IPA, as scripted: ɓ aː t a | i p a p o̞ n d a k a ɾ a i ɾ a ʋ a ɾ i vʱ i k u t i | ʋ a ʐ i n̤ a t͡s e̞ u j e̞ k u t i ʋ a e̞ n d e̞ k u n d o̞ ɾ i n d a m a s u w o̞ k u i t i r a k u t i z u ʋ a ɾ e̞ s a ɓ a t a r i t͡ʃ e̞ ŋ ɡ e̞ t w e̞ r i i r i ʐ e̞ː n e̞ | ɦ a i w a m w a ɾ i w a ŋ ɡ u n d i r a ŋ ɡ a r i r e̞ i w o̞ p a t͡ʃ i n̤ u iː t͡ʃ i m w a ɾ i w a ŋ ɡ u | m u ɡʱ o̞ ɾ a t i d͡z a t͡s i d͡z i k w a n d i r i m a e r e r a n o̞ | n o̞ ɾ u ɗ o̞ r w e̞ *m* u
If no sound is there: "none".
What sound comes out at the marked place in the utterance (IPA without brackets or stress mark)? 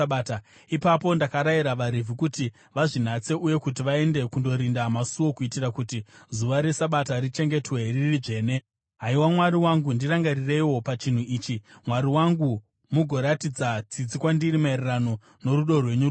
ɲ